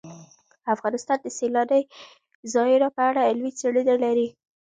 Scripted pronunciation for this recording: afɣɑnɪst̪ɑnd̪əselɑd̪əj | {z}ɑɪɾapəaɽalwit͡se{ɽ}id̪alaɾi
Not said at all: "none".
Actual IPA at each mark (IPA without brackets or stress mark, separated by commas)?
z, ɽ